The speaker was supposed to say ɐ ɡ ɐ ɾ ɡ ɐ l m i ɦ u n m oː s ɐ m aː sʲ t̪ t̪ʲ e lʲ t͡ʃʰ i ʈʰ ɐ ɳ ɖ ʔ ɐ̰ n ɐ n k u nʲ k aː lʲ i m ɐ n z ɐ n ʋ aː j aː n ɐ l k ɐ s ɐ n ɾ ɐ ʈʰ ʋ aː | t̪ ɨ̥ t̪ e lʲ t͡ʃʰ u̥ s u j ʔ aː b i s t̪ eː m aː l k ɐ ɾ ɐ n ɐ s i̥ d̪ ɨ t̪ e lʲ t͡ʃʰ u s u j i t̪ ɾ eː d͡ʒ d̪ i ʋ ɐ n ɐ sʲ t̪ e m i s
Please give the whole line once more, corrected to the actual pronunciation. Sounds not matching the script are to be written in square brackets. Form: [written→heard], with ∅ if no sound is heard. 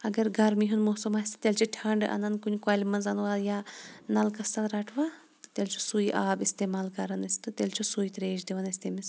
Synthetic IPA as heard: ɐ ɡ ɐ ɾ ɡ ɐ [l→ɾ] m i ɦ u n m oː s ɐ m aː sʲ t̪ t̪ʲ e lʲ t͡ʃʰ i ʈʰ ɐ ɳ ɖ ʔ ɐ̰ n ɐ n k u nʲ k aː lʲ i m ɐ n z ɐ n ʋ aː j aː n ɐ l k ɐ s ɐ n ɾ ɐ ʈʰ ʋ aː | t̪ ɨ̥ t̪ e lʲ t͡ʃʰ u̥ s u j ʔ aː b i s t̪ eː m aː l k ɐ ɾ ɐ n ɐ s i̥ [d̪→t̪] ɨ t̪ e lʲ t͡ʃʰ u s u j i t̪ ɾ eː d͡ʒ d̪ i ʋ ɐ n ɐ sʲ t̪ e m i s